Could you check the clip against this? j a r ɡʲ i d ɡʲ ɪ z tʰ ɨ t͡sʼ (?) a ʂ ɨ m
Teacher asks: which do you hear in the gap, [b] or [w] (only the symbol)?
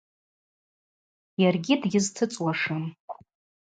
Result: w